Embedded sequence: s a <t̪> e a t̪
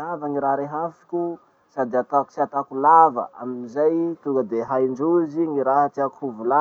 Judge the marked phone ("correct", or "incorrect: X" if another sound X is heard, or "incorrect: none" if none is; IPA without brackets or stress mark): incorrect: d̪